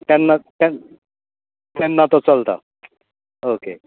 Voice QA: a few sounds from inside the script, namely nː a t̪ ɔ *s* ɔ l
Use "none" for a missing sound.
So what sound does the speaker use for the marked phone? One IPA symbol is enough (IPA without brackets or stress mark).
t͡s